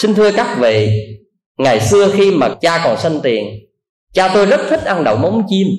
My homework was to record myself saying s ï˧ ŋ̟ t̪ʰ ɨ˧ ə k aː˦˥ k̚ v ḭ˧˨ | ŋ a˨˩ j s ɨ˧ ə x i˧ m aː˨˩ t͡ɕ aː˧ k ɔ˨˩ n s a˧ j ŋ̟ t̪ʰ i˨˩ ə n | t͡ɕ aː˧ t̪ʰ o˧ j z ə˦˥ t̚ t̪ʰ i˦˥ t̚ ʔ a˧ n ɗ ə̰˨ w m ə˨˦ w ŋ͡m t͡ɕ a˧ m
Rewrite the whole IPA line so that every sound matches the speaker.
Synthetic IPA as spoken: s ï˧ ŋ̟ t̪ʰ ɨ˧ ə k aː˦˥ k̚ v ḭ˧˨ | ŋ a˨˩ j s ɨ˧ ə x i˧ m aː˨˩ t͡ɕ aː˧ k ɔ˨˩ n s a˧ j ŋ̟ t̪ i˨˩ ə n | t͡ɕ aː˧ t̪ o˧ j z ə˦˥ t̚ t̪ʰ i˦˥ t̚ ʔ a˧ n ɗ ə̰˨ w m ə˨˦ w ŋ͡m t͡ɕ i˧ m